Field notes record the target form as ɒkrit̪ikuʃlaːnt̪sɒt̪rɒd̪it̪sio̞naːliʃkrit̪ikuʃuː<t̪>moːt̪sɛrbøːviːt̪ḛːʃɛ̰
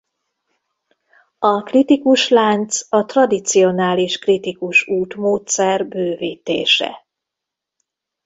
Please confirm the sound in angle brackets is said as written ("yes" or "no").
yes